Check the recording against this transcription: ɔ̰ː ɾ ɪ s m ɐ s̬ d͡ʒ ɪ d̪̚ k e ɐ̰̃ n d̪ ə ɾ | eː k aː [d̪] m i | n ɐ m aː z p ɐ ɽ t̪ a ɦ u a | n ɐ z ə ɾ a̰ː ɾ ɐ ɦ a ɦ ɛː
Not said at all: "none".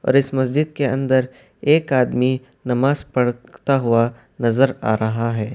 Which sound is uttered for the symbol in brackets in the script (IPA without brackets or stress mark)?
d̪